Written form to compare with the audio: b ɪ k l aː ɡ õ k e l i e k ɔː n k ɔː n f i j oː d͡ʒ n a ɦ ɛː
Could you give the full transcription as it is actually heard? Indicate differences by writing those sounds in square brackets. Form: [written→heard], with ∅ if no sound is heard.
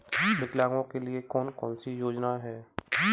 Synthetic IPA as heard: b ɪ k l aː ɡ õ k e l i e k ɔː n k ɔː n [f→s] i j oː d͡ʒ n a ɦ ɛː